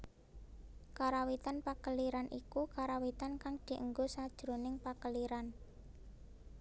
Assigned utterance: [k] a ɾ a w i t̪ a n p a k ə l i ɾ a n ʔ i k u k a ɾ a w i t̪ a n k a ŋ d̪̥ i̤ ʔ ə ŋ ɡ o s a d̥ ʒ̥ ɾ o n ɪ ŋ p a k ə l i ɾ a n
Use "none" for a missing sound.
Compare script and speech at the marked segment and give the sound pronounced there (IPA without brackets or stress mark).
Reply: k